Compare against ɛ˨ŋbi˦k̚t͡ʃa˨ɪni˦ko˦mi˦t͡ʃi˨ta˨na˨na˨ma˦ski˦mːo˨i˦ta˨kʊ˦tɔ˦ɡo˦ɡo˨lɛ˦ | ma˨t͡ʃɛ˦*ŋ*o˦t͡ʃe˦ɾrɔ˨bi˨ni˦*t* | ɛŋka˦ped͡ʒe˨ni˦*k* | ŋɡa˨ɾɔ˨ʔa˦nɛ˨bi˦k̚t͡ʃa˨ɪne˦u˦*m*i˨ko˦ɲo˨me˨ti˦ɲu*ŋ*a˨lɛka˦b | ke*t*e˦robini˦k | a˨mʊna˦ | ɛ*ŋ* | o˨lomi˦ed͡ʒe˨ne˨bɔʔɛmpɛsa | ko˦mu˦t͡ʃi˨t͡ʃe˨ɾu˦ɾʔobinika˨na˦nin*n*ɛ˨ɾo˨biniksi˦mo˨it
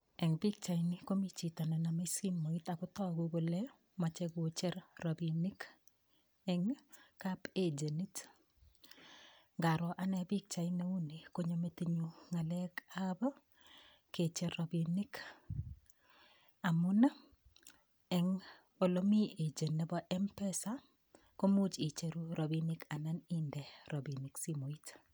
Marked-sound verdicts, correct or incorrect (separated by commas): incorrect, incorrect, incorrect, incorrect, correct, incorrect, correct, incorrect